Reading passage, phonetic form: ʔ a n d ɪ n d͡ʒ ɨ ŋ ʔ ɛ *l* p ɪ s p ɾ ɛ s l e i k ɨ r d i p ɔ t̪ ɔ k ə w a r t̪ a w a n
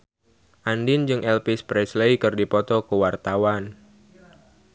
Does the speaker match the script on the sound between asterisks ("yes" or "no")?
yes